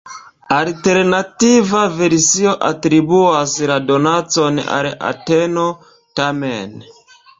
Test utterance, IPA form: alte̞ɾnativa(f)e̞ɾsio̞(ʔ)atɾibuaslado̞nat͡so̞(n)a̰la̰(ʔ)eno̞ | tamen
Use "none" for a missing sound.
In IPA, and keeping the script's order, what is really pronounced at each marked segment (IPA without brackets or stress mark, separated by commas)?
v, ʔ, n, t